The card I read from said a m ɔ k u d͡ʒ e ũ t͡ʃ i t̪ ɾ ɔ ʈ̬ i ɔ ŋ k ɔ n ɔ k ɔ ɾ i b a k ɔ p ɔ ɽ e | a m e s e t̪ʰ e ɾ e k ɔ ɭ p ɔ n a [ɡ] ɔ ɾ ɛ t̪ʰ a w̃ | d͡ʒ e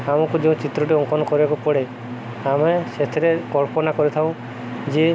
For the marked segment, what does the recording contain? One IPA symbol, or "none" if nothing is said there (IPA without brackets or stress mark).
k